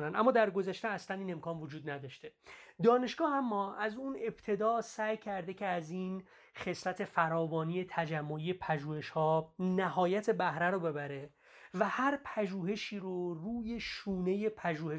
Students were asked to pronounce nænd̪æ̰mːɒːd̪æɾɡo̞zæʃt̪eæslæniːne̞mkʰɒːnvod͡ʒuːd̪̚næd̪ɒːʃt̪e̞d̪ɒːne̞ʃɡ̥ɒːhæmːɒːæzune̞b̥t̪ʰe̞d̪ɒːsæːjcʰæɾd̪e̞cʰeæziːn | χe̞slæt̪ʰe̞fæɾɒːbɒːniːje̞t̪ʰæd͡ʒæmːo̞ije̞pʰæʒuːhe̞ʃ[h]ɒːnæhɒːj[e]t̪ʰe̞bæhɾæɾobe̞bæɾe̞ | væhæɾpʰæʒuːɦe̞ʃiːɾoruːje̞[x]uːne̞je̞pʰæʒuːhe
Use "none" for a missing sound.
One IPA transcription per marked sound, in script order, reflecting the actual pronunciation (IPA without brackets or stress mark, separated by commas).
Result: h, æ, ʃ